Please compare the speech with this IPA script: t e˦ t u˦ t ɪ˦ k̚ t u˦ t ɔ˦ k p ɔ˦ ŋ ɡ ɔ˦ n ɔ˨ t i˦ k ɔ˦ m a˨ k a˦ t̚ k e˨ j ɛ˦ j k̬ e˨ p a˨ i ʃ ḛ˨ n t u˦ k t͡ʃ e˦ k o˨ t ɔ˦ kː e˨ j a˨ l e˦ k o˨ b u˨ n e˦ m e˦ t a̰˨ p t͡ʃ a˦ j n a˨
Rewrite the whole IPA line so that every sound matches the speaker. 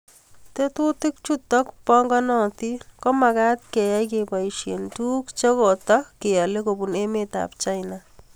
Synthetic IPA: t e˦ t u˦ t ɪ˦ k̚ t͡ʃ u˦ t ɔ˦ k p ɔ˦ ŋ ɡ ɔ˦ n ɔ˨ t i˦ k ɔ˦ m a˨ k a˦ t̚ k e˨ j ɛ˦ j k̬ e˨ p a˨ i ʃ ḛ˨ n t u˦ k t͡ʃ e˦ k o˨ t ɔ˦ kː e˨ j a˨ l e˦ k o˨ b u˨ n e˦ m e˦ t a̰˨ p t͡ʃ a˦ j n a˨